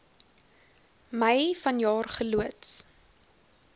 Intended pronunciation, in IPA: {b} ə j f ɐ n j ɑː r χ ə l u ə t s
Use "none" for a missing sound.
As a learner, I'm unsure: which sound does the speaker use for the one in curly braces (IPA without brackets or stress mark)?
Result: m